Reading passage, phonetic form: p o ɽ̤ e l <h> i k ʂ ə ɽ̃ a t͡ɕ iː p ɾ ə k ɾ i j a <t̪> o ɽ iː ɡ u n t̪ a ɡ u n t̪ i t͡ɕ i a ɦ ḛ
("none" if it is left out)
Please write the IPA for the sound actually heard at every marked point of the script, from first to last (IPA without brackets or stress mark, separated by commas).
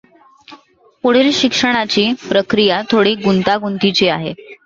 ɕ, t̪ʰ